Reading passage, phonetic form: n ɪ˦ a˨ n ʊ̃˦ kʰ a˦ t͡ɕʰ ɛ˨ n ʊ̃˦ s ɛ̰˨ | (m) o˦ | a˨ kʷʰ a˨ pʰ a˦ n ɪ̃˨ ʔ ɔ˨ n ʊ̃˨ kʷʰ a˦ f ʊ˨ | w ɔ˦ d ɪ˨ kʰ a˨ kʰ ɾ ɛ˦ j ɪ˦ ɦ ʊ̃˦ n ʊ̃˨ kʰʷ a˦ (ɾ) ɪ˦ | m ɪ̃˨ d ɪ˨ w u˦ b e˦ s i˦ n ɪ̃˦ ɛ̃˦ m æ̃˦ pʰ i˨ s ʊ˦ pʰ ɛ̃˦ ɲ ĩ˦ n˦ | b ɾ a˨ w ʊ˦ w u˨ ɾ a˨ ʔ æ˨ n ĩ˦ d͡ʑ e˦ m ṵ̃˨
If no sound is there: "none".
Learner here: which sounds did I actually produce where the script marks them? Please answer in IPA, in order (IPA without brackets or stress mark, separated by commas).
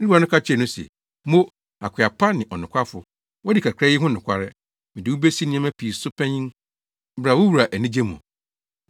m, ɾ